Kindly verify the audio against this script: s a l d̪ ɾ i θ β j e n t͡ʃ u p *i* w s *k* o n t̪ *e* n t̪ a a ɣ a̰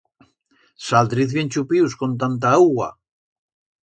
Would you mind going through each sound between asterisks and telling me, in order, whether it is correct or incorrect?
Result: correct, correct, incorrect: a

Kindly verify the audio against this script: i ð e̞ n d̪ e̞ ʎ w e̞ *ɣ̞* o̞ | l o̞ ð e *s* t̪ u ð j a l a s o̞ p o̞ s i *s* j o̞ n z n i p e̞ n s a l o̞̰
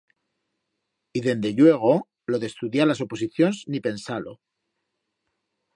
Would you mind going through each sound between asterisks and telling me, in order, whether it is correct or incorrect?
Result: correct, correct, incorrect: θ

